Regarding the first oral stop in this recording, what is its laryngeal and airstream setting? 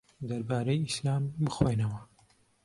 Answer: plain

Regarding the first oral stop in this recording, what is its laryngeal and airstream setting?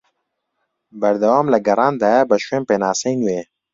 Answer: plain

